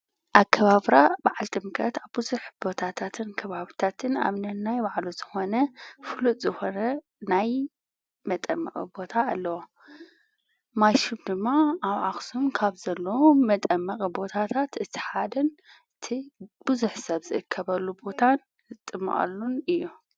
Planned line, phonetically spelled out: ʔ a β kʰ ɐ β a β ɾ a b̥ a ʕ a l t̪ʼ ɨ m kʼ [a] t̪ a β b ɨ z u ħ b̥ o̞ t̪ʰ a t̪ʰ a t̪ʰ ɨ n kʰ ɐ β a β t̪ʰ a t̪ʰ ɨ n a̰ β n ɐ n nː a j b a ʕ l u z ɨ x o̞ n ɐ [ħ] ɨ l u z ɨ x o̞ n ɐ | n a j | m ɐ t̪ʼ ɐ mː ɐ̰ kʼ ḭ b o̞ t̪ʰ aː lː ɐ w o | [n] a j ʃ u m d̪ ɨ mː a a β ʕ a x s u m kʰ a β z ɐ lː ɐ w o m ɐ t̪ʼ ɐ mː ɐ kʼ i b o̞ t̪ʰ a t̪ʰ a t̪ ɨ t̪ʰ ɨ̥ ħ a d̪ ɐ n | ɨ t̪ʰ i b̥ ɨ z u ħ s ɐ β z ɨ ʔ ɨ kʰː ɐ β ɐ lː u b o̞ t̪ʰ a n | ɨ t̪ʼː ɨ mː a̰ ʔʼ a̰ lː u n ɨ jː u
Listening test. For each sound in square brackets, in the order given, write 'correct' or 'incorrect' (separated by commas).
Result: incorrect, incorrect, incorrect